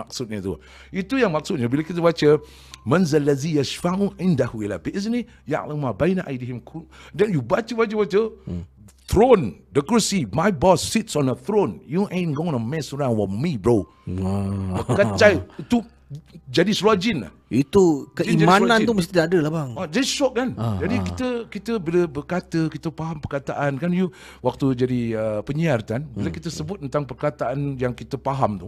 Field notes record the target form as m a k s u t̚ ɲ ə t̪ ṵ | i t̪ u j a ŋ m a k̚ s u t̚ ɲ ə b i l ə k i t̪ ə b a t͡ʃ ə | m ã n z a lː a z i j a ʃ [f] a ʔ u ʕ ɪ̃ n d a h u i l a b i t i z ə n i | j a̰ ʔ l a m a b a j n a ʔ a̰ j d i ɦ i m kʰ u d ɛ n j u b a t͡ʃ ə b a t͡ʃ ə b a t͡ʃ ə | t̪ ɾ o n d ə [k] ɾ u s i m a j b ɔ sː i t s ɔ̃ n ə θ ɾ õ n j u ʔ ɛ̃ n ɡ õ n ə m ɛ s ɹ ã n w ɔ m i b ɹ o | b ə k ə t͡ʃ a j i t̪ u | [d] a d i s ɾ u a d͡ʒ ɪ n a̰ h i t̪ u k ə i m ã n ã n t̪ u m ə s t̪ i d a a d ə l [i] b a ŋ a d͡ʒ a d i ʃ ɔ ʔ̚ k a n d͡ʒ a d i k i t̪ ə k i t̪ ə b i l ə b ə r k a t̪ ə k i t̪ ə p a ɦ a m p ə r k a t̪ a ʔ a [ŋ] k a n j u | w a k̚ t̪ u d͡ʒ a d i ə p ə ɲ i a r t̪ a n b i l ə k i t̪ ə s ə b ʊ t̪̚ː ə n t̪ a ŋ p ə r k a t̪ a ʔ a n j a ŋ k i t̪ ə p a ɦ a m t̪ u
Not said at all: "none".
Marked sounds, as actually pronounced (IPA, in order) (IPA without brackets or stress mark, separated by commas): f, k, d͡ʒ, a, n